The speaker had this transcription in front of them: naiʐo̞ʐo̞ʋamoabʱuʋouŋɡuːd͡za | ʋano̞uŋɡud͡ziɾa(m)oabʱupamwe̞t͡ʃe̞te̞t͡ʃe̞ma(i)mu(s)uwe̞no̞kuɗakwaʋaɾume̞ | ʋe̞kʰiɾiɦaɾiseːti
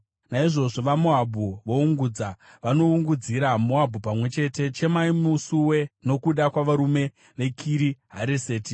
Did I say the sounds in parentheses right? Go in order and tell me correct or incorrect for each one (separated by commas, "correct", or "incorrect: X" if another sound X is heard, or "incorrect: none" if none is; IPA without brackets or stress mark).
correct, correct, correct